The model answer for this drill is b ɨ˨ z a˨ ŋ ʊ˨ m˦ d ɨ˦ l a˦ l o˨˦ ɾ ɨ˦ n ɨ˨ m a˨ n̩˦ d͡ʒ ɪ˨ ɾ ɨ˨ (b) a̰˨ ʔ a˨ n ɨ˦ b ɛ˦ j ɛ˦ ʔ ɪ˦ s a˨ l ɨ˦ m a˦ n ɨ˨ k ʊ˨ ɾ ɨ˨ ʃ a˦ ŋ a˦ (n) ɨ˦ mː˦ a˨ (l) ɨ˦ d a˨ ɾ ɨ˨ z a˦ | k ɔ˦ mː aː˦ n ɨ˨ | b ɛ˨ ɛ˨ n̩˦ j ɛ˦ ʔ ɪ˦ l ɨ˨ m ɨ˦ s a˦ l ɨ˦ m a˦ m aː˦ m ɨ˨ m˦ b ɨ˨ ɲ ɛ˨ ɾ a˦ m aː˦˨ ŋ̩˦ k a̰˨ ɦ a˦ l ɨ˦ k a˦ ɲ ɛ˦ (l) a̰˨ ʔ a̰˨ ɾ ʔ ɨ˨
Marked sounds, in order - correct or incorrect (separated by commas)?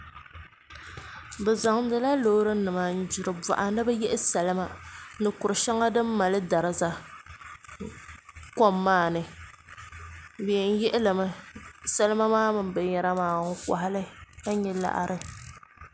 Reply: correct, incorrect, correct, correct